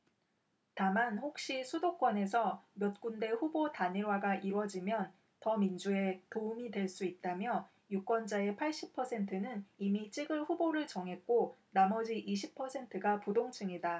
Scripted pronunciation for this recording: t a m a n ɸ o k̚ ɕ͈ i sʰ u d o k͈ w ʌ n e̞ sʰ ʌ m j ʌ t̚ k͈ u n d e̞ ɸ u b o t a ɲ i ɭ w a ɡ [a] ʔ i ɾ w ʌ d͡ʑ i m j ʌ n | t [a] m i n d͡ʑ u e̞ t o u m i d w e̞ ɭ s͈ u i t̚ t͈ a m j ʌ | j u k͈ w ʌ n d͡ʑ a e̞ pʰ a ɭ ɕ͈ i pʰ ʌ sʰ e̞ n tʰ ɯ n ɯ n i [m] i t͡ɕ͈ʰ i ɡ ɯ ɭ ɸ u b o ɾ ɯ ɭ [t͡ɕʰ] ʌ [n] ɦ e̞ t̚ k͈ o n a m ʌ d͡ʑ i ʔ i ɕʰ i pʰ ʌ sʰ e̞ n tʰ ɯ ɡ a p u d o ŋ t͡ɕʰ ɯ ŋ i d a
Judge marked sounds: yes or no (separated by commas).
yes, no, yes, no, no